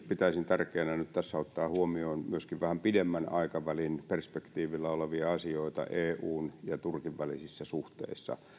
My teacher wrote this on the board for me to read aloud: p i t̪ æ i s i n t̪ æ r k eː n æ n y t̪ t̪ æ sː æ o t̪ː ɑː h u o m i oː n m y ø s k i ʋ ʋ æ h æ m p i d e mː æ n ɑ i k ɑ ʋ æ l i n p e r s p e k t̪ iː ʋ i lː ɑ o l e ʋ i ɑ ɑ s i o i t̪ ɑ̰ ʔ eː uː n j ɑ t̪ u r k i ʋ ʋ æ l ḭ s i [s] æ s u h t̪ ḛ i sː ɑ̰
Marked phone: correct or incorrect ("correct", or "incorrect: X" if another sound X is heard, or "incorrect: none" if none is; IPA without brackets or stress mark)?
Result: incorrect: sː